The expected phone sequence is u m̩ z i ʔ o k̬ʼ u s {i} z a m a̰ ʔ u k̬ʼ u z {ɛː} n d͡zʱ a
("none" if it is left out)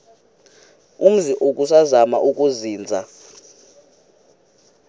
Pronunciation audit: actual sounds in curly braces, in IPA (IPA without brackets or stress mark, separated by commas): a, iː